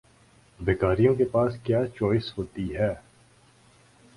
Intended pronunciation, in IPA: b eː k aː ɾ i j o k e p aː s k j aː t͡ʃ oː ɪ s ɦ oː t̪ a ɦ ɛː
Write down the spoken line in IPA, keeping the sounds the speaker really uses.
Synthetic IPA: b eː k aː ɾ i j õ k e p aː s k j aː t͡ʃ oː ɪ s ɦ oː t̪ i ɦ ɛː